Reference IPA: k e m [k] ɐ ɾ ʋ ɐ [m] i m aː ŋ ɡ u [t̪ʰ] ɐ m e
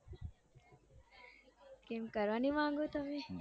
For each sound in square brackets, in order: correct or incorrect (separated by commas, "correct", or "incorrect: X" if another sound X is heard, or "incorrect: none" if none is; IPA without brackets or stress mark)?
correct, incorrect: n, incorrect: t̪